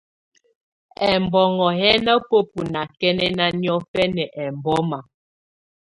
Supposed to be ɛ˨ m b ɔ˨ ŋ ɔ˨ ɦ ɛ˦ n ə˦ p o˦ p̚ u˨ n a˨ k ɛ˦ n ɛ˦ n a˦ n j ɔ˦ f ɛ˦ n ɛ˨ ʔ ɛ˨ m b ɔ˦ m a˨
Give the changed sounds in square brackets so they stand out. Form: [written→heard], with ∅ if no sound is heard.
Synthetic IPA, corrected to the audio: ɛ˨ m b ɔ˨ ŋ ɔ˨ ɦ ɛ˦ n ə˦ p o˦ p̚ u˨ n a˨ k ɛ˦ n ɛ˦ n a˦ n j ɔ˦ f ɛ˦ n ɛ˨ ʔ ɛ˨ m b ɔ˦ m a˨